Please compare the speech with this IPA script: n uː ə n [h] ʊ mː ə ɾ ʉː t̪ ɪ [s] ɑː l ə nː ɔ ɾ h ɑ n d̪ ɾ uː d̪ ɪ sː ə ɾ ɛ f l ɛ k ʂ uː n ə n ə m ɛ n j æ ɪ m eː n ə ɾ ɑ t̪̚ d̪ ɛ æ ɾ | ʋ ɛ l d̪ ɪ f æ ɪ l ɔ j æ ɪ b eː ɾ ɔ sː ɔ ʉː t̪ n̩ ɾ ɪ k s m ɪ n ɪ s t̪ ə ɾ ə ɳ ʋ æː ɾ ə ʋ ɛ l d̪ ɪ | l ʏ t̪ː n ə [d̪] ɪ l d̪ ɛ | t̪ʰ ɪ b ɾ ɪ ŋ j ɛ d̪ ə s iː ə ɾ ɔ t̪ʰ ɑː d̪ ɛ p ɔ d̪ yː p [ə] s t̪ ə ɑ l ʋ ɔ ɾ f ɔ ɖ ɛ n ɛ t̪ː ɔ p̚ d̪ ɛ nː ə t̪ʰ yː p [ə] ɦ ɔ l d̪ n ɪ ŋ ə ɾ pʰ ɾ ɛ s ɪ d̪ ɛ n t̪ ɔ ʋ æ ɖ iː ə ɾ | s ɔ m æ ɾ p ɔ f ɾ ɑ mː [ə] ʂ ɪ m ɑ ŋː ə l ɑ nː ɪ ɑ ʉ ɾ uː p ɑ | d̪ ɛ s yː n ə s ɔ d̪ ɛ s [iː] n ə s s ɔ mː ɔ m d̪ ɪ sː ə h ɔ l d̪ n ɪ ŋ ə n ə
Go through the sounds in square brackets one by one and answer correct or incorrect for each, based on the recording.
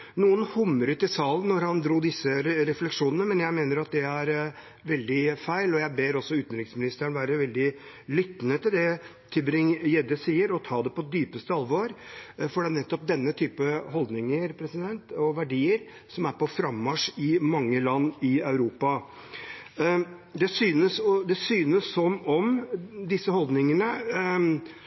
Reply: correct, correct, incorrect: t̪, correct, correct, incorrect: ɑ, incorrect: yː

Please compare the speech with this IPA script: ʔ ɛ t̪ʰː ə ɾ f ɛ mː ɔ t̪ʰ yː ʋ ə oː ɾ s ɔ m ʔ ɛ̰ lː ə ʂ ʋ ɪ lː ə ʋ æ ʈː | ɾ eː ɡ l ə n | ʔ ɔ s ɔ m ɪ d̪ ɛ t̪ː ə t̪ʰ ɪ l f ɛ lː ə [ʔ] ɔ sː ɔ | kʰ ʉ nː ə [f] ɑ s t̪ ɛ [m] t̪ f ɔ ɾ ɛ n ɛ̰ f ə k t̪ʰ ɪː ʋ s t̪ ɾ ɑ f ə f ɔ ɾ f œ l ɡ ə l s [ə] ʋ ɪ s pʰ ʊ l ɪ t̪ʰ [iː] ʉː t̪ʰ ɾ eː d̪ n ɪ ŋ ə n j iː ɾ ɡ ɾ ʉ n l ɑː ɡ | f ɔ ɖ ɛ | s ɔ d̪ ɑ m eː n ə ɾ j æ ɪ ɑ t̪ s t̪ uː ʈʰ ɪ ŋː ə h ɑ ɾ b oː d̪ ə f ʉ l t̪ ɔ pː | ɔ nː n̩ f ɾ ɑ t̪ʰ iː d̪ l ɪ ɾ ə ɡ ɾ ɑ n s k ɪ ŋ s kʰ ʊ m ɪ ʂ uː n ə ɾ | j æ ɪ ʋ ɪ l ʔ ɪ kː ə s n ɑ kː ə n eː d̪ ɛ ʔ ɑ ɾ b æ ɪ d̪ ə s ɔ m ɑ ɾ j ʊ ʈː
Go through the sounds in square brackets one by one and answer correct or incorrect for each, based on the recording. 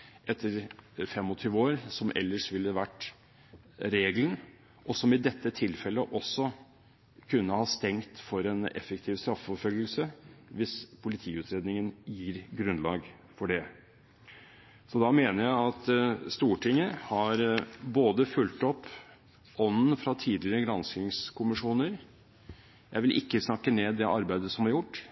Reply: correct, incorrect: h, incorrect: ŋ, correct, correct

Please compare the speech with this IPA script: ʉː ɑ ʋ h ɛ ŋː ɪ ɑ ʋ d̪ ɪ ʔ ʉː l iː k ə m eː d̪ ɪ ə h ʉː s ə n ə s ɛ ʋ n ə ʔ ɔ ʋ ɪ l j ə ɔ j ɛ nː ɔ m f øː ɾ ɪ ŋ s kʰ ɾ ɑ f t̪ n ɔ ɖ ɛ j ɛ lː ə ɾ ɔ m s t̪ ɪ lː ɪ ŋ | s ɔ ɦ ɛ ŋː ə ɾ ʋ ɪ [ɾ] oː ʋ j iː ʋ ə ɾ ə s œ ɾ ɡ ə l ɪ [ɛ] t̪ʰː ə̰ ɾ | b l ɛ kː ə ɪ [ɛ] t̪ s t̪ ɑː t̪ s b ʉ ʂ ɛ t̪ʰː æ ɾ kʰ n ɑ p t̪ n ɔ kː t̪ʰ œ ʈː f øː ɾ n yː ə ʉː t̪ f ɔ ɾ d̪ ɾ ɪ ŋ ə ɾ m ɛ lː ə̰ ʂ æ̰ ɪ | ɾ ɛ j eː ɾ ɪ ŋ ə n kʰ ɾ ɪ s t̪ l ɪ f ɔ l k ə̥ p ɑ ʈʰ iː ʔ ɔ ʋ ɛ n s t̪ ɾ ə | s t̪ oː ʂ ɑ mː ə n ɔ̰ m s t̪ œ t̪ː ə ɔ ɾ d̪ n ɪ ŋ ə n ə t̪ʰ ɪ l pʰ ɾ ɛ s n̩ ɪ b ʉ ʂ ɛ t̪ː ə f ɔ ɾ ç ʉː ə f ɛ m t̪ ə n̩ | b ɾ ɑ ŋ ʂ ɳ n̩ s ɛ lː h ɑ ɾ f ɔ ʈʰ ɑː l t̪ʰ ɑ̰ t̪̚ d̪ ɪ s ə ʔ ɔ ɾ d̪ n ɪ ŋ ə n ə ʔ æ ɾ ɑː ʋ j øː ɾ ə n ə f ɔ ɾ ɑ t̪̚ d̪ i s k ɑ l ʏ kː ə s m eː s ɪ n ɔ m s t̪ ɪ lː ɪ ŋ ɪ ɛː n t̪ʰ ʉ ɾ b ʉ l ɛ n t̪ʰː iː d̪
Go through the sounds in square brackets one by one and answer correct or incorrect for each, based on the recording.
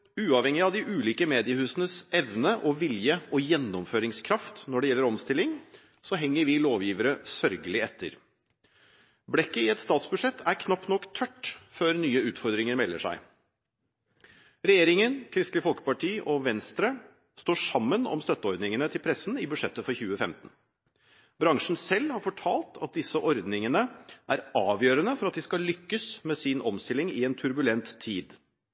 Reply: incorrect: l, correct, correct

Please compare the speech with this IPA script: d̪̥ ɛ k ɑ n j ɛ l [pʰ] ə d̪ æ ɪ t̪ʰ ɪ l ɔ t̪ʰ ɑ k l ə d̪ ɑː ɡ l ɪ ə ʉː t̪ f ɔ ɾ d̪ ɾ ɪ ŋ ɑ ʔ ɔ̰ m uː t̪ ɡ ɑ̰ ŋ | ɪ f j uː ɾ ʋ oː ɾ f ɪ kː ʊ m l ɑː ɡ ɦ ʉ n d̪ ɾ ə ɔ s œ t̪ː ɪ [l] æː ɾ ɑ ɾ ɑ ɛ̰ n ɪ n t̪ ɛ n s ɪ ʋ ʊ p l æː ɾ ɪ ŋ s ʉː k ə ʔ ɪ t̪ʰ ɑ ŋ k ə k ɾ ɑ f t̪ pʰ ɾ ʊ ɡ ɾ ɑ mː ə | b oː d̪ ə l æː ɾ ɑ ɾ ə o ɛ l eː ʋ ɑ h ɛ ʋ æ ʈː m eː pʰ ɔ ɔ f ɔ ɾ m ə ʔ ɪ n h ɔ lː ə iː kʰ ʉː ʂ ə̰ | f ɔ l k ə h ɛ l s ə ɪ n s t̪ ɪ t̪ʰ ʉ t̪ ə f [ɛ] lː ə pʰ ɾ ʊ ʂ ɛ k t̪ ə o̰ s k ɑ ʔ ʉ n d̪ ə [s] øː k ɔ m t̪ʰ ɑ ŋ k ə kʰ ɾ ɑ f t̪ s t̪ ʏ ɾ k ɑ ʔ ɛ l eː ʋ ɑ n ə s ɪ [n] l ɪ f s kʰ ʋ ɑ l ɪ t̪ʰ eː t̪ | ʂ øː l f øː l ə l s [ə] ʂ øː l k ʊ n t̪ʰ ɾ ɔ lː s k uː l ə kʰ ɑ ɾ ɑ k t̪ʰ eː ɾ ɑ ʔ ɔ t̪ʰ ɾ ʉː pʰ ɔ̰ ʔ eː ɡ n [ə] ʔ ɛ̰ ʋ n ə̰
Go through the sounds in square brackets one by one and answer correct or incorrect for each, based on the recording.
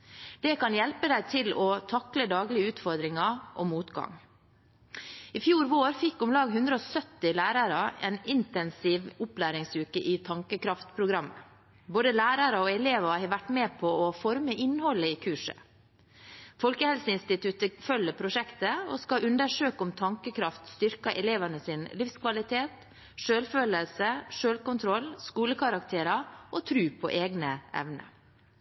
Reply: incorrect: p, correct, incorrect: œ, incorrect: ʂ, correct, correct, correct

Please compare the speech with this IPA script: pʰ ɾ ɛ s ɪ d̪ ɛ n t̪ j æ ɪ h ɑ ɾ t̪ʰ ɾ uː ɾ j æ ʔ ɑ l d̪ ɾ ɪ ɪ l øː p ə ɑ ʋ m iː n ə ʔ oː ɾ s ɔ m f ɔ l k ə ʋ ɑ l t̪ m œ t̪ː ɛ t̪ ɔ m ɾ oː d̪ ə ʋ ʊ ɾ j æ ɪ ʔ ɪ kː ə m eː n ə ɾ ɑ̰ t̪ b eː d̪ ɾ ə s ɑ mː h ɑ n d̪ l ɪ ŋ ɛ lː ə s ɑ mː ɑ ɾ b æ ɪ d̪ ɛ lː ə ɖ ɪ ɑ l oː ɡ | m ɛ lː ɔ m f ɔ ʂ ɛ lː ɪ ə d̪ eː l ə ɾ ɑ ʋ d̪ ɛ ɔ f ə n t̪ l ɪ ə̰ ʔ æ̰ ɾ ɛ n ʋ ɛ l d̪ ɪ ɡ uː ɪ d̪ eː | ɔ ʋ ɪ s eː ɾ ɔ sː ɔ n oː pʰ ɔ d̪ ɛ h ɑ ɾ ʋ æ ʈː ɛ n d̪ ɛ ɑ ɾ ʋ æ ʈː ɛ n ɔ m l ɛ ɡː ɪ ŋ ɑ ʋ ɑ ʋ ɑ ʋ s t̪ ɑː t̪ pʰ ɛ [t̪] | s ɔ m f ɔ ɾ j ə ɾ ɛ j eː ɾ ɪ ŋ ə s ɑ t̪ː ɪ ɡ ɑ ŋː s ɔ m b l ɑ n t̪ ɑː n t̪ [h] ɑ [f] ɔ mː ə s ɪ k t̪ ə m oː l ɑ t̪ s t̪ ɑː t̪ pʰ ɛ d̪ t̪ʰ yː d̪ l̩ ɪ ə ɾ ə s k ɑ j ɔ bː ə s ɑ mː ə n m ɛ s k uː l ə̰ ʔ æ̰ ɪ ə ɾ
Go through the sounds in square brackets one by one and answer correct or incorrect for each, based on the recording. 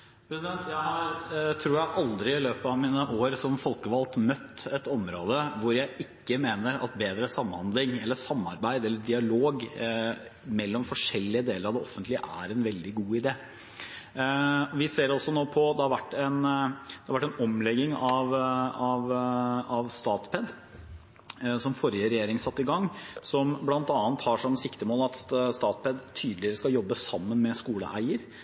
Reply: incorrect: d̪, correct, incorrect: ʂ

